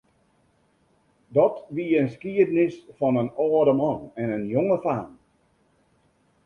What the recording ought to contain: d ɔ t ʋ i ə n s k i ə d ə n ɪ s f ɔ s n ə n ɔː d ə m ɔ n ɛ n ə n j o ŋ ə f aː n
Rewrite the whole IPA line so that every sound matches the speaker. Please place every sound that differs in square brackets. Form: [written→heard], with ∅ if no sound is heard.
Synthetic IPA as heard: d ɔ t ʋ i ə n s k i ə d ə n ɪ s f ɔ [s→∅] n ə n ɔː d ə m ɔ n ɛ n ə n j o ŋ ə f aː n